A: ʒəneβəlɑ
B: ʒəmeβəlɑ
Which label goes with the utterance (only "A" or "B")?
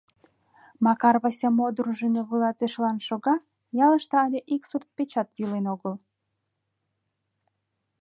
A